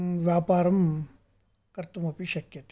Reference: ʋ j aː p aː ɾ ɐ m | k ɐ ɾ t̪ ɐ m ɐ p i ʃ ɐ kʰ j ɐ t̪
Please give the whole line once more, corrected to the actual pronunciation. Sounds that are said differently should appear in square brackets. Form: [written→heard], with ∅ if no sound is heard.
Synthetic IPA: ʋ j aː p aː ɾ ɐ m | k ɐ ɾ t̪ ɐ m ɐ p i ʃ ɐ [kʰ→k] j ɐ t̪